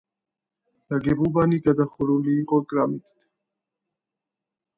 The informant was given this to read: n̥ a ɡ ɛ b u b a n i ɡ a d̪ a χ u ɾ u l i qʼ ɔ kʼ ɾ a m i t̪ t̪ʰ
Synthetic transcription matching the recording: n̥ a ɡ ɛ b u b a n i ɡ a d̪ a χ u ɾ u l iː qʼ ɔ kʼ ɾ a m i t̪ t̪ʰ